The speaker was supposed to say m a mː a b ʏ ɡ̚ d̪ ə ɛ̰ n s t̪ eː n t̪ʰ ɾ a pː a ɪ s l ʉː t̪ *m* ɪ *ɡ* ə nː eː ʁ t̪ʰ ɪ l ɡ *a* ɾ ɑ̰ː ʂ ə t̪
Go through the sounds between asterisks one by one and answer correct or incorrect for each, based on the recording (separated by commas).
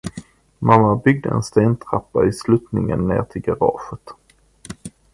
incorrect, incorrect, correct